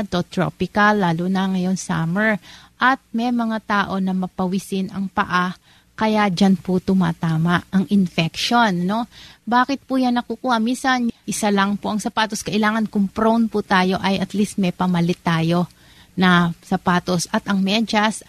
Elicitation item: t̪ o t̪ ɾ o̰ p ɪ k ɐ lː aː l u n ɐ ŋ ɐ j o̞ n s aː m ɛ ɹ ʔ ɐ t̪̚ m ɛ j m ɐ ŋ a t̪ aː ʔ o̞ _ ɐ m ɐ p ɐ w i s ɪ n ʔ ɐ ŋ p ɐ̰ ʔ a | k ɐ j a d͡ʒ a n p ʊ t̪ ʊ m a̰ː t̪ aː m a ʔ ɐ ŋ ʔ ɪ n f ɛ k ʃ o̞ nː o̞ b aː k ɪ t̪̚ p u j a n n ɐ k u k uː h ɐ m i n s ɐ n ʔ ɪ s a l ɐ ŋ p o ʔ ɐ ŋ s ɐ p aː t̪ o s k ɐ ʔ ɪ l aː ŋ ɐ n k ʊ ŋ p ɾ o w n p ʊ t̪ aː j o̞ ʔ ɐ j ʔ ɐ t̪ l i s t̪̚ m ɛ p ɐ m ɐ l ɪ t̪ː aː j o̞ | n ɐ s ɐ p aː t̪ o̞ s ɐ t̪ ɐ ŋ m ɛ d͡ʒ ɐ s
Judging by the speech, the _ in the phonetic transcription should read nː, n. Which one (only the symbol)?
n